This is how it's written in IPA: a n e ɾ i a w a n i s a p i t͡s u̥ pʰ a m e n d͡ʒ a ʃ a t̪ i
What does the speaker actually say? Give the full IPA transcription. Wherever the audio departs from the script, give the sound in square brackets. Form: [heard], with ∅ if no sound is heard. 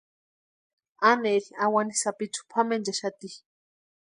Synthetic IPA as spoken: a n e ɾ i a w a n i s a p i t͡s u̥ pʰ a m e n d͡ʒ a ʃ a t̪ i